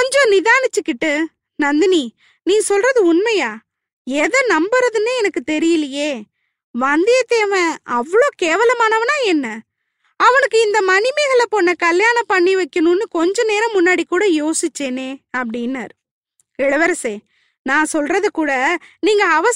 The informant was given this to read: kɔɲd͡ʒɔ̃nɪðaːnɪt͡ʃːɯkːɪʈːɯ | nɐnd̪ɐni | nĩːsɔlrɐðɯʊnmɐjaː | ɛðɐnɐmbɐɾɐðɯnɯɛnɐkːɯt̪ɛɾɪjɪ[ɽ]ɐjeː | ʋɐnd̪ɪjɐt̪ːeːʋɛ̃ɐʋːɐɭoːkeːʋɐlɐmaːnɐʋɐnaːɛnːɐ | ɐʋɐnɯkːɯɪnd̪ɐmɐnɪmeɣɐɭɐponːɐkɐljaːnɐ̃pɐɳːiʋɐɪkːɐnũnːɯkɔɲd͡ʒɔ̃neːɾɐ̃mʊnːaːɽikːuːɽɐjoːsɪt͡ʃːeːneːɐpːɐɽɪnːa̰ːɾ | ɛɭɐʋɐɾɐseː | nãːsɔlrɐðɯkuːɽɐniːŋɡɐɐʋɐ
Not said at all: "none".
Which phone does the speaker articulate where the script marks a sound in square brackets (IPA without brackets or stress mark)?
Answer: l